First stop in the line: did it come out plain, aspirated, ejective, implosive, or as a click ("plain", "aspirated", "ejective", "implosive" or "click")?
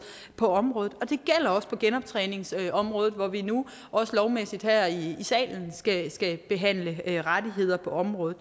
aspirated